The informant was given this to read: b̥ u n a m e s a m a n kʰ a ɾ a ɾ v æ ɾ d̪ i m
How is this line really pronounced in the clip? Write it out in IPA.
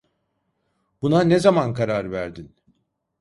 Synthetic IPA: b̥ u n a n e z a m a n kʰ a ɾ a ɾ v æ ɾ d̪ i n